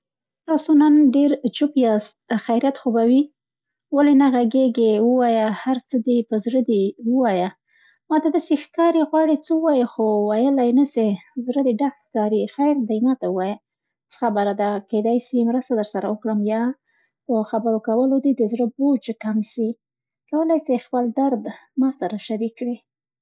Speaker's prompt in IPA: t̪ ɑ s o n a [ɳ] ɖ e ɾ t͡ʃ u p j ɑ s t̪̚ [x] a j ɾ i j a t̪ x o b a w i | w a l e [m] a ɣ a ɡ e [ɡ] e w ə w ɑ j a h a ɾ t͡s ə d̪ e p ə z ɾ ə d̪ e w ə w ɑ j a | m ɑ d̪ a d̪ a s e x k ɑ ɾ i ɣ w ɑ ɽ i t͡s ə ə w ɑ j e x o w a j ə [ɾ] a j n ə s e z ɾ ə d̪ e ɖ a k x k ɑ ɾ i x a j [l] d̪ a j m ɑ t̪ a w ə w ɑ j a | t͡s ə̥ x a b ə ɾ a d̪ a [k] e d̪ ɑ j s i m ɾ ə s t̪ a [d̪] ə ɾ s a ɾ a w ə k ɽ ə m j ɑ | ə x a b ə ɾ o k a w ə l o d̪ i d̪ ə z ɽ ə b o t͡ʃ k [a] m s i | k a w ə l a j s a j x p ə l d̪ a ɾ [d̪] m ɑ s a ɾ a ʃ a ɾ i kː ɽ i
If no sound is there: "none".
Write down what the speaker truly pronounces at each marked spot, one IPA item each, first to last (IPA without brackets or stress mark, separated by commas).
n, x, n, ɡ, l, ɾ, k, d̪, a, d̪